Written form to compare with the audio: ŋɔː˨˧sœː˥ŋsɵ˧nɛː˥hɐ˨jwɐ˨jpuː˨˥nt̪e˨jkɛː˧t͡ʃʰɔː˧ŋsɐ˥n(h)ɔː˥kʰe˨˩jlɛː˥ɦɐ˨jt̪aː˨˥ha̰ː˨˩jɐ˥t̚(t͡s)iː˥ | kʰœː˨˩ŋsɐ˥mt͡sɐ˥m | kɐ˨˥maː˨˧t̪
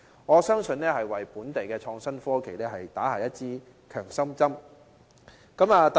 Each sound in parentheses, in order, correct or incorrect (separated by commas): incorrect, correct